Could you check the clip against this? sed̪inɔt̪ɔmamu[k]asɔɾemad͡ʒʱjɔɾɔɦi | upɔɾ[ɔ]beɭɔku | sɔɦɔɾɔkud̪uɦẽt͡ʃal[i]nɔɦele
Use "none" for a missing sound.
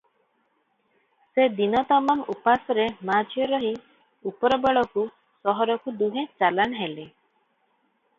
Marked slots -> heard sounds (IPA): p, ɔ, a

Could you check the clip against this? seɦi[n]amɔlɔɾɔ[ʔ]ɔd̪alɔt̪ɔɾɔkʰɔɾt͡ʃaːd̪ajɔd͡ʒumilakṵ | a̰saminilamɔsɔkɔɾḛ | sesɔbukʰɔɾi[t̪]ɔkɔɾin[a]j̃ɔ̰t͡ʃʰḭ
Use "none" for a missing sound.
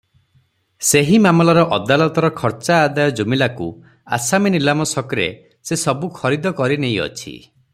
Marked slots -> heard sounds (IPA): m, ʔ, d̪, e

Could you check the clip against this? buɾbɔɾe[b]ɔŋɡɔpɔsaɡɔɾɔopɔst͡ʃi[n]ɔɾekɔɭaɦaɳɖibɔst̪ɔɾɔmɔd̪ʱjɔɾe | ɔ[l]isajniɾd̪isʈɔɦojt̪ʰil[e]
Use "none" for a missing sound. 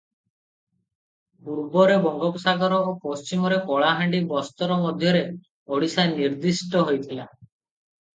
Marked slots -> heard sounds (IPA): b, m, ɽ, a

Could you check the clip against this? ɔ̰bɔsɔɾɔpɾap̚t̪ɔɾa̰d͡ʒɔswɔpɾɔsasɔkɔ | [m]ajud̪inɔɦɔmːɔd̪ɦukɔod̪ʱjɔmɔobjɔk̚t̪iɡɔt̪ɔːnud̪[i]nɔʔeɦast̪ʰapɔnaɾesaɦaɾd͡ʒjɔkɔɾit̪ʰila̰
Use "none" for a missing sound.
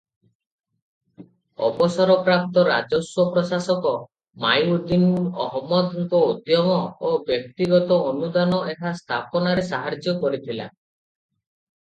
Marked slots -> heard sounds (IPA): m, a

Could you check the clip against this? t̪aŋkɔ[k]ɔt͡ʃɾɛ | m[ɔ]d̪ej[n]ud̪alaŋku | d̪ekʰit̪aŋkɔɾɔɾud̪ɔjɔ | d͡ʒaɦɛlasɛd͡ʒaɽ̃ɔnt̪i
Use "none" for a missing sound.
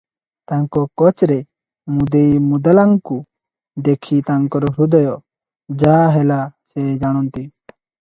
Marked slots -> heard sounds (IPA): k, u, m

